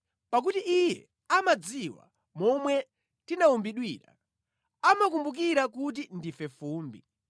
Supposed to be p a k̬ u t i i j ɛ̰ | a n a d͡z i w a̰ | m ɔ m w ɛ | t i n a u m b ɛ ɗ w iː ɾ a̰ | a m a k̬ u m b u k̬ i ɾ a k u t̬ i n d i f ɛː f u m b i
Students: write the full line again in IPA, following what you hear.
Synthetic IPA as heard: p a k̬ u t i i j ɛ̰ | a m a d͡z i w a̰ | m ɔ m w ɛ | t i n a u m b i ɗ w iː ɾ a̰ | a m a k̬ u m b u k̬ i ɾ a k u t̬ i n d i f ɛ f uː m b i

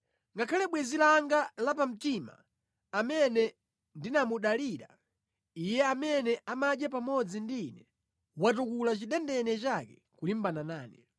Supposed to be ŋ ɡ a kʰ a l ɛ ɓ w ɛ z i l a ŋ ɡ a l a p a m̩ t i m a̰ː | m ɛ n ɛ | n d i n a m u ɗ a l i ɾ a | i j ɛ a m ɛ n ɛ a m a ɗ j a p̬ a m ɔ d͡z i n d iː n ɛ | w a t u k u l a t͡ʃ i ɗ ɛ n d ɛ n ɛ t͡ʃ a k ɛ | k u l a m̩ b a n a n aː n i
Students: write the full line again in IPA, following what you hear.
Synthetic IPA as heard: ŋ ɡ a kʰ a l ɛ ɓ w ɛ z i l a ŋ ɡ a l a p a m̩ t i m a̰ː | m ɛ n ɛ | n d i n a m u ɗ a l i ɾ a | i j ɛ a m ɛ n ɛ a m a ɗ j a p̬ a m ɔ d͡z i n d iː n ɛ | w a t u k u l a t͡ʃ i ɗ ɛ n d ɛ n ɛ t͡ʃ a k ɛ | k u l i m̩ b a n a n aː n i

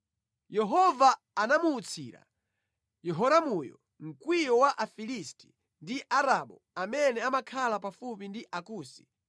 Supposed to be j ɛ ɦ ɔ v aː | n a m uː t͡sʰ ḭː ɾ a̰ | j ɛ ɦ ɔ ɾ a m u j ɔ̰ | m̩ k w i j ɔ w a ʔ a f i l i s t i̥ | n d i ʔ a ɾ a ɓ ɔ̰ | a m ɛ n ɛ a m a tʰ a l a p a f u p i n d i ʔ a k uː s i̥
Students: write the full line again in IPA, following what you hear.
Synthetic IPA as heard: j ɛ ɦ ɔ v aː | n a m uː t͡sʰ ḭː ɾ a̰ | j ɛ ɦ ɔ ɾ a m u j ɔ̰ | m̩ k w i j ɔ w a ʔ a f i l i s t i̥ | n d i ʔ a ɾ a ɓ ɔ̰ | a m ɛ n ɛ a m a kʰ a l a p a f u p i n d i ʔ a k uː s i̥

